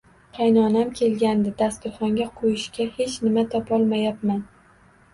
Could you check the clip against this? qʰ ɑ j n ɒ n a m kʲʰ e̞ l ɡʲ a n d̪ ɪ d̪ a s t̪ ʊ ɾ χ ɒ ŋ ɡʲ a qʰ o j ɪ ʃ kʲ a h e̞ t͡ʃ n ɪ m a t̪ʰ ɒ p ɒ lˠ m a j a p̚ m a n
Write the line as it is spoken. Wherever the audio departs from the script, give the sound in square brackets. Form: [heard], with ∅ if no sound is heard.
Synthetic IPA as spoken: qʰ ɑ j n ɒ n a m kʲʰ e̞ l ɡʲ a n d̪ ɪ d̪ a s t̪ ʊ ɾ χ ɒ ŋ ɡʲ a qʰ o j ɪ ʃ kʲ a h e̞ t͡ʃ n ɪ m a t̪ʰ ɒ p ɒ lˠ m a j a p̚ m a n